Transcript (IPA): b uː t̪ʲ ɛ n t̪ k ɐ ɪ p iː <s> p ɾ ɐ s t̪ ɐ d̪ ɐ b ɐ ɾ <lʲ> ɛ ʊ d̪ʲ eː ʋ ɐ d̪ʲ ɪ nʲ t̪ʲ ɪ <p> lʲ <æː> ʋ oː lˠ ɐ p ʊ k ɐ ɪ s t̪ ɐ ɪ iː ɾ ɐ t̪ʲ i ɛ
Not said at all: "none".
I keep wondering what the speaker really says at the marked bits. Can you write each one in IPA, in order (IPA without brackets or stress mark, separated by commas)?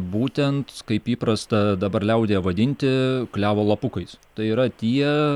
none, lʲ, k, æː